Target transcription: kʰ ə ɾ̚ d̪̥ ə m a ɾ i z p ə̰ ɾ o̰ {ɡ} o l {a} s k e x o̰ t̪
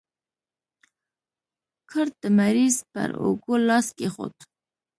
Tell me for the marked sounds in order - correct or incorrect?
correct, incorrect: ɑ

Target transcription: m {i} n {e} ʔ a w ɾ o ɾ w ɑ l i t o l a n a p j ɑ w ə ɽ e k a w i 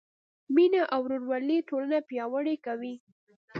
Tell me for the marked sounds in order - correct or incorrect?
correct, incorrect: a

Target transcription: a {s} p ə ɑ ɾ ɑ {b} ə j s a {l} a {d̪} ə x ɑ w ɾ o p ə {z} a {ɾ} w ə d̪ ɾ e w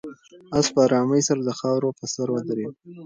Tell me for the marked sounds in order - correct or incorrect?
correct, incorrect: m, incorrect: ɾ, correct, incorrect: s, correct

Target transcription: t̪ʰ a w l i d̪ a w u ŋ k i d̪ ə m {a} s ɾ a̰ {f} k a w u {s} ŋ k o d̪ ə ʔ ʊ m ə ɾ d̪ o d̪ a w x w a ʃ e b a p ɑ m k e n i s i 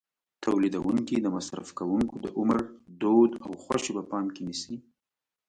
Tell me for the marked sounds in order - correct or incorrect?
correct, correct, incorrect: none

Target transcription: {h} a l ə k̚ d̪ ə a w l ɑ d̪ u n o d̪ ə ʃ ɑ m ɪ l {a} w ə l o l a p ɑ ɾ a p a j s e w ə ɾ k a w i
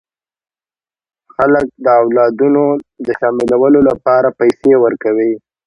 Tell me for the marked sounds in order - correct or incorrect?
incorrect: x, correct

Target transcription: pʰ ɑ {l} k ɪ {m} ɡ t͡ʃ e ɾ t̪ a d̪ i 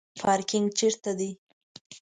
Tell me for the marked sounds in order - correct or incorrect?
incorrect: ɾ, incorrect: ŋ

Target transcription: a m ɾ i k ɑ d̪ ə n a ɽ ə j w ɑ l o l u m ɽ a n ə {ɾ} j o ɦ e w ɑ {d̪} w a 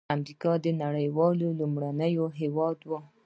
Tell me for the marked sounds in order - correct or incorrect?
incorrect: none, correct

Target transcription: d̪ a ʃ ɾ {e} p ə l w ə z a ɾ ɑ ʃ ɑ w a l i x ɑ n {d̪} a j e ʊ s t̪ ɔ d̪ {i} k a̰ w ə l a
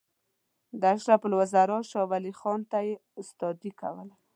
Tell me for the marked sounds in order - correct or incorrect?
incorrect: a, incorrect: t̪, correct

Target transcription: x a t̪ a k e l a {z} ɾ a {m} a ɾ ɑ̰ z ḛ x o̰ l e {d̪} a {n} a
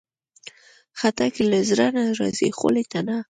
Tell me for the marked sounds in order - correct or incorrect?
correct, incorrect: n, incorrect: t̪, correct

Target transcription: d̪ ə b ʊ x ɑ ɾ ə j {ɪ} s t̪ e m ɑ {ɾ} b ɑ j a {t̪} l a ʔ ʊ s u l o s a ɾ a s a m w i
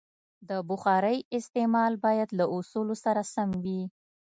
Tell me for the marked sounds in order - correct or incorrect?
correct, incorrect: l, incorrect: d̪

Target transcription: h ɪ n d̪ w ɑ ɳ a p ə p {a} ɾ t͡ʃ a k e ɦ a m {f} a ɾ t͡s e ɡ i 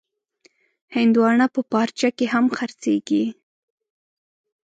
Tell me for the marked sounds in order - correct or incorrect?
incorrect: ɑ, incorrect: x

